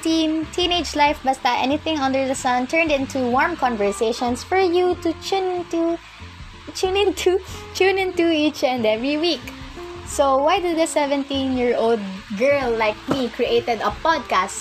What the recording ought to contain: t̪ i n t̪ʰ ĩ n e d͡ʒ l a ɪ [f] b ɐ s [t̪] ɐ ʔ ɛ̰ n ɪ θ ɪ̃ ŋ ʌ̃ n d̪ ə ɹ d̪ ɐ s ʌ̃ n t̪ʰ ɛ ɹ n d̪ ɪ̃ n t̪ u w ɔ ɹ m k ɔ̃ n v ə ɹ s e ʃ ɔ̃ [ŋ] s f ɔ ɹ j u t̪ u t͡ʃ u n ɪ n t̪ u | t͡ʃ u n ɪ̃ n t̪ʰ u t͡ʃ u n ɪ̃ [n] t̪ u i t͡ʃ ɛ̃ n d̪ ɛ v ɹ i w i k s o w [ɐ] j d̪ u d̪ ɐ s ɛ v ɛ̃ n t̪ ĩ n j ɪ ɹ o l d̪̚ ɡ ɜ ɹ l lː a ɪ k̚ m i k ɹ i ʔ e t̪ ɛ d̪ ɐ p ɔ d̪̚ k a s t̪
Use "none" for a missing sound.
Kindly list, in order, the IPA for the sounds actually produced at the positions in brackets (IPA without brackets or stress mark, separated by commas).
f, t̪, n, n, a